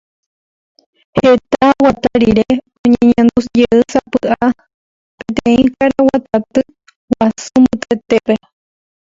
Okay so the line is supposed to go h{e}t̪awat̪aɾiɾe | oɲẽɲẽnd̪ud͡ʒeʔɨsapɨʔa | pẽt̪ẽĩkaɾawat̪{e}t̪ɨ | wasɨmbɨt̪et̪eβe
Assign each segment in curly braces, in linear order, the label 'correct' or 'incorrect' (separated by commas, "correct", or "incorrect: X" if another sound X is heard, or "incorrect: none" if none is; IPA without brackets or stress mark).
correct, incorrect: a